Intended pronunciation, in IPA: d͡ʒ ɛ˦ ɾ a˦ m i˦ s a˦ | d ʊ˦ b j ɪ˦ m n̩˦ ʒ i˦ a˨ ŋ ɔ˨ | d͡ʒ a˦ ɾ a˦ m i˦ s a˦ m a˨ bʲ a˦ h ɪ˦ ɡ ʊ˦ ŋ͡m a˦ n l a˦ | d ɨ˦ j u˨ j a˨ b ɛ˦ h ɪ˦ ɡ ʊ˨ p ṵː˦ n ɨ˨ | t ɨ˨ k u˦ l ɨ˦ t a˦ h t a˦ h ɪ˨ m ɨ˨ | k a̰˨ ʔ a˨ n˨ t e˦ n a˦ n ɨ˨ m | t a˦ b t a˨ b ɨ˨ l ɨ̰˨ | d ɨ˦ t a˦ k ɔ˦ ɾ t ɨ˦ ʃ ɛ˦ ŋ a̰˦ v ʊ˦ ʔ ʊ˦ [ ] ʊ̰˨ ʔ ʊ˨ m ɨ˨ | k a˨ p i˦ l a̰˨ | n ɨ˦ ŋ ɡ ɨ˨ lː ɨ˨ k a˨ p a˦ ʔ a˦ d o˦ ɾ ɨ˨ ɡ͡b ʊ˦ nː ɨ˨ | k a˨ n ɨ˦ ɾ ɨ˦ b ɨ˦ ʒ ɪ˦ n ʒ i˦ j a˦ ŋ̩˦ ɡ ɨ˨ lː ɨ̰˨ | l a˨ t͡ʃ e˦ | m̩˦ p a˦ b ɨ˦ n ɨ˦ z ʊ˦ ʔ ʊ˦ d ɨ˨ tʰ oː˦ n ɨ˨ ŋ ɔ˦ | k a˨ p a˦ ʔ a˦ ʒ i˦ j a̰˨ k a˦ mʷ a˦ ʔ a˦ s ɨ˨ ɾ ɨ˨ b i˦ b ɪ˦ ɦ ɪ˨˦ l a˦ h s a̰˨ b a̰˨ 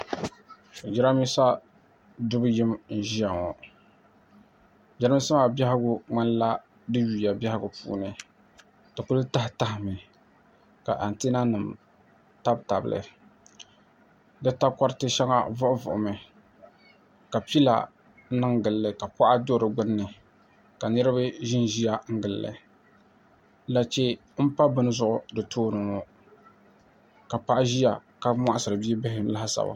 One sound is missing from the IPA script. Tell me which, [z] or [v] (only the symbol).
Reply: v